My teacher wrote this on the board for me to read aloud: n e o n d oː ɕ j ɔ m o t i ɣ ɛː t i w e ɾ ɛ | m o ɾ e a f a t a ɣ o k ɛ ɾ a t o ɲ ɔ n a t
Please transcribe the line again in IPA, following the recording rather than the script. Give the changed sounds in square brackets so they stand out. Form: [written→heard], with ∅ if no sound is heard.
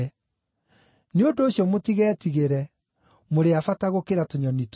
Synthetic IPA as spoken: n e o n d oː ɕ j ɔ m o t i ɣ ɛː t i [w→ɣ] e ɾ ɛ | m o ɾ e a f a t a ɣ o k [ɛ→e] ɾ a t o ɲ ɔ n [a→i] t